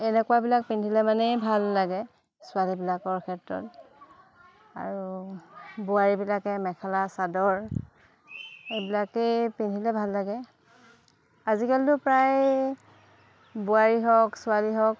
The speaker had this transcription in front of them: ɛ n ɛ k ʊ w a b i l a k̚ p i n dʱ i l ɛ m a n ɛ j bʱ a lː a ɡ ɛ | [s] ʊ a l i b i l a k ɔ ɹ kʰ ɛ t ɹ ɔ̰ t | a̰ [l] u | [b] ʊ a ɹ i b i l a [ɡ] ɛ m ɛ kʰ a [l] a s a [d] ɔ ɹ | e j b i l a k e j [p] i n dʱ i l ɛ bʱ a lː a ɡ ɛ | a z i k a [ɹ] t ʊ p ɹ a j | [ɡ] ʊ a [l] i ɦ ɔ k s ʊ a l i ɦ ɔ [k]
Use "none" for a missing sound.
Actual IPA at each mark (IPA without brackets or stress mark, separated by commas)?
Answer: s, ɹ, b, k, l, d, p, l, b, ɹ, k